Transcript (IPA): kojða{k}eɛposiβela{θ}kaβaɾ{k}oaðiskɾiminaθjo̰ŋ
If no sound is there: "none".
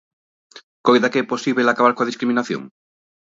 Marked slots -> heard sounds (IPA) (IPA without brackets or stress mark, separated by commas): k, none, k